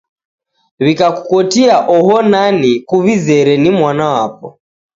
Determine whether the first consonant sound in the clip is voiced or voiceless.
voiced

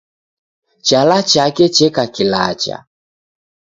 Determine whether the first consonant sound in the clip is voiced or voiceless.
voiceless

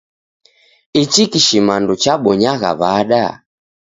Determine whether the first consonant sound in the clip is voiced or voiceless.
voiceless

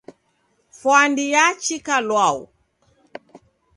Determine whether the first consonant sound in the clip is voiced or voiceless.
voiceless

